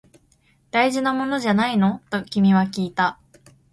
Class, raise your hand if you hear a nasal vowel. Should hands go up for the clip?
no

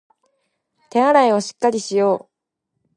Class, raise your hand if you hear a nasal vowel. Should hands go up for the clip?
no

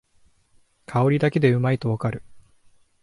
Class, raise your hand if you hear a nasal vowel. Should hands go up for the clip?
no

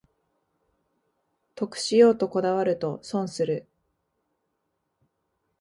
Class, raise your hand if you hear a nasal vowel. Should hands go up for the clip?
yes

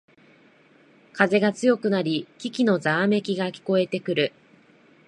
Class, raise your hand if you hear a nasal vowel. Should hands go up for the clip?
no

